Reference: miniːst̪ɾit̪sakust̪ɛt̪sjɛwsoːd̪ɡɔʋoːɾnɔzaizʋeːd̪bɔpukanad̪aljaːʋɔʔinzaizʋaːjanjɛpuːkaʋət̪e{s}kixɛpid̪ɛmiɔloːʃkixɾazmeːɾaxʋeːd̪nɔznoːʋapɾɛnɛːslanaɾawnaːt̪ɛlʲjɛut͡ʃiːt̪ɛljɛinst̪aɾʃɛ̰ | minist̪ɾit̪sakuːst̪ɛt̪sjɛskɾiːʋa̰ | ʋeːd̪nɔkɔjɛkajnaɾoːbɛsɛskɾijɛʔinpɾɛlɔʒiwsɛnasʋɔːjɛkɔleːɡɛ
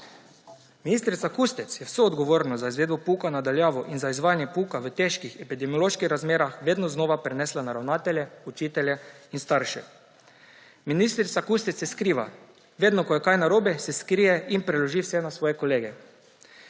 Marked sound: incorrect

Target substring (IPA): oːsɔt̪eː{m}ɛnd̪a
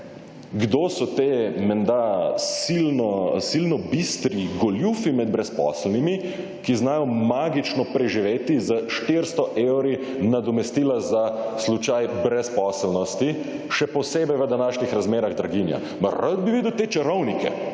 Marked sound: correct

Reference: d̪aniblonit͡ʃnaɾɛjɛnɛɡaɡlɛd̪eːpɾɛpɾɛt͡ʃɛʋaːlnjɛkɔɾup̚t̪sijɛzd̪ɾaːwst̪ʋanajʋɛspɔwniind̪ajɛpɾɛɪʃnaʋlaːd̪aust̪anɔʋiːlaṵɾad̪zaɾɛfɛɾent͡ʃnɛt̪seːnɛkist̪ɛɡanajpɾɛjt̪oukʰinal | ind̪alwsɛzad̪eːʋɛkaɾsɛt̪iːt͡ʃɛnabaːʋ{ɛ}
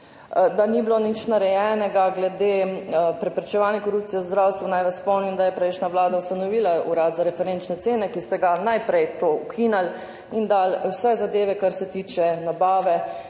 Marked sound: correct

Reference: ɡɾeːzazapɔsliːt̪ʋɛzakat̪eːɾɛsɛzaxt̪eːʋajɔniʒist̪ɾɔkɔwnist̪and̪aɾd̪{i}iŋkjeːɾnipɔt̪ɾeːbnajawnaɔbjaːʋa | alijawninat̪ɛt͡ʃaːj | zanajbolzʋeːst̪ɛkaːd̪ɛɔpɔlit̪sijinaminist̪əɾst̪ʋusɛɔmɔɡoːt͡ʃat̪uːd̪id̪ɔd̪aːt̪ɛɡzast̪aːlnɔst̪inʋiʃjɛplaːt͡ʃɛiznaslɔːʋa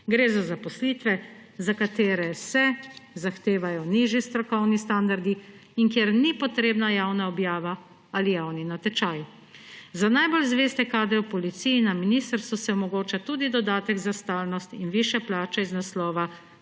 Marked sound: correct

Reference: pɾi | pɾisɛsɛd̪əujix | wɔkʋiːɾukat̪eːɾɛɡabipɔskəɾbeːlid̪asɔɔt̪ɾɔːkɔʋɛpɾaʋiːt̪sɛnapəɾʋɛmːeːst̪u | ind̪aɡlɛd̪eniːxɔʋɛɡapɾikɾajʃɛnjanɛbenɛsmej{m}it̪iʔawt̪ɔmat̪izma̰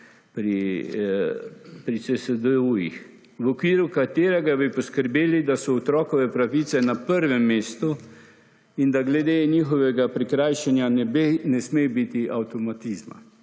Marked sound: incorrect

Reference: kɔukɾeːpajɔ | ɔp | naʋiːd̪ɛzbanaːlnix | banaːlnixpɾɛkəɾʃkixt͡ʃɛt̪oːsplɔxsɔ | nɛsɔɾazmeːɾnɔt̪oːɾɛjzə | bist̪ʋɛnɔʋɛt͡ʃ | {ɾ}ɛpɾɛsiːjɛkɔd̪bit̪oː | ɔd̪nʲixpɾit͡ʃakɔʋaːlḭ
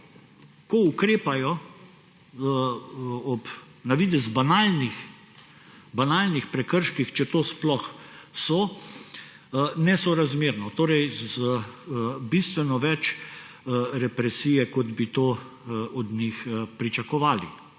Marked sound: correct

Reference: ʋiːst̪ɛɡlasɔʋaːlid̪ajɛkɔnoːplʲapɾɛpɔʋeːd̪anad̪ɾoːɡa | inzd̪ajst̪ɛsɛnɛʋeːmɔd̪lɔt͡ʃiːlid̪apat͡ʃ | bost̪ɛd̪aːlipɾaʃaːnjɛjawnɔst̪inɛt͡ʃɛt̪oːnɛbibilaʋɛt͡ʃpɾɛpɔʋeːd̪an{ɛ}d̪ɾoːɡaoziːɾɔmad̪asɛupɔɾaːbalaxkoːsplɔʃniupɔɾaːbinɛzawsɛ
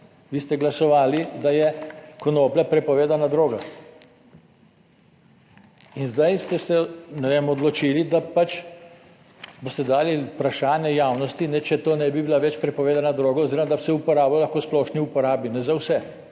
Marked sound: incorrect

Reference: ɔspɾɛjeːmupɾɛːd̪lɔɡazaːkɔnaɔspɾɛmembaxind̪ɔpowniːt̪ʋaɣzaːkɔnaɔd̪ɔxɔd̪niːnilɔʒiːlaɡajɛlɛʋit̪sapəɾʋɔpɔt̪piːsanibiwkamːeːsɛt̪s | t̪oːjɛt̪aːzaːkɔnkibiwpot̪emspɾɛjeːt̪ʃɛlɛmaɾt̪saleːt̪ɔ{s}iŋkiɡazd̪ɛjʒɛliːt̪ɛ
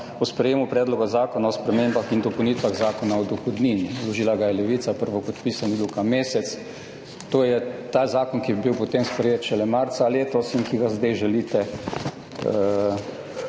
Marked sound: correct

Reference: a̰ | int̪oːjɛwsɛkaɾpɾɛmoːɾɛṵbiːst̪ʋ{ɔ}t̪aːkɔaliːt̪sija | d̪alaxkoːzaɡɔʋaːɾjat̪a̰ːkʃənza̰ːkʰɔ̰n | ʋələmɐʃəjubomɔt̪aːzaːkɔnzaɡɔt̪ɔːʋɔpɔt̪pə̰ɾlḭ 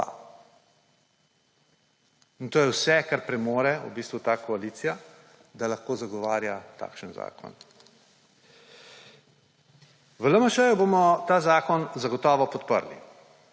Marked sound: incorrect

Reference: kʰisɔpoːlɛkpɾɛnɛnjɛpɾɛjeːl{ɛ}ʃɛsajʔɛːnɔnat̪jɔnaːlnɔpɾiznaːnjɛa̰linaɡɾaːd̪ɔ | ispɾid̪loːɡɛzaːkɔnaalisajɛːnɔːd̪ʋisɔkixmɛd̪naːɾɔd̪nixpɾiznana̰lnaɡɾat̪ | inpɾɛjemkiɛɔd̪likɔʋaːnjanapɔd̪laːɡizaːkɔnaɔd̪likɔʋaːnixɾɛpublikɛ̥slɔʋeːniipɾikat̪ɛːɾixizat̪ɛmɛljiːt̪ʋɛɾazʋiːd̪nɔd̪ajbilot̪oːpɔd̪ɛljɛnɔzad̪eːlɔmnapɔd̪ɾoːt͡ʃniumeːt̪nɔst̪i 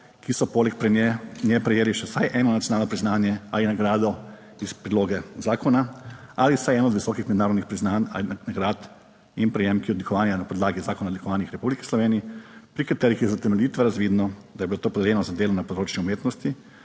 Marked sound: incorrect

